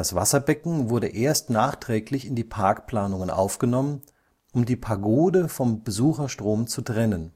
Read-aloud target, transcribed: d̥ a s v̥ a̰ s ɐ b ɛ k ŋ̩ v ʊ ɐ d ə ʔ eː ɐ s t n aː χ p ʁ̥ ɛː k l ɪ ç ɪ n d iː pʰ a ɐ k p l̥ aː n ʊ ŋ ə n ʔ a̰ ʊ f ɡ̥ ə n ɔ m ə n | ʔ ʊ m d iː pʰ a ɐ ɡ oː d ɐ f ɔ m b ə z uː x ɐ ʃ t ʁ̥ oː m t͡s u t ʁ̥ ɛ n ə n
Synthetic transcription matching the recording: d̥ a s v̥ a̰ s ɐ b ɛ k ŋ̩ v ʊ ɐ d ə ʔ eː ɐ s t n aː χ t ʁ̥ ɛː k l ɪ ç ɪ n d iː pʰ a ɐ k p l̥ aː n ʊ ŋ ə n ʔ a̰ ʊ f ɡ̥ ə n ɔ m ə n | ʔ ʊ m d iː pʰ a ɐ ɡ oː d ə f ɔ m b ə z uː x ɐ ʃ t ʁ̥ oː m t͡s u t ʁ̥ ɛ n ə n